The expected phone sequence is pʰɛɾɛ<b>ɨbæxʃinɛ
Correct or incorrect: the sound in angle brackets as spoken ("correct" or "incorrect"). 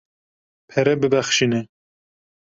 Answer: correct